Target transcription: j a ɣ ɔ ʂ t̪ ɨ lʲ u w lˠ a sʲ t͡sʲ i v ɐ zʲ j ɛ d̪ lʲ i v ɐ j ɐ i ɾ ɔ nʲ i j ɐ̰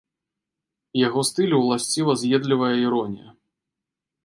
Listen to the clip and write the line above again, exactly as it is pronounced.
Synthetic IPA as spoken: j a ɣ ɔ s t̪ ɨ lʲ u w lˠ a sʲ t͡sʲ i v ɐ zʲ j ɛ d̪ lʲ i v ɐ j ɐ i ɾ ɔ nʲ i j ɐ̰